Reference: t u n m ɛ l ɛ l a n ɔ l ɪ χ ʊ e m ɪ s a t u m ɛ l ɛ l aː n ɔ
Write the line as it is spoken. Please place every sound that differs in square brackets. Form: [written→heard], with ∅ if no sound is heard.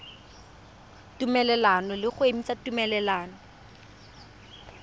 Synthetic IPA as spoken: t u [n→∅] m ɛ l ɛ l a n ɔ l ɪ χ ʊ e m [ɪ→i] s a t u m ɛ l ɛ l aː n ɔ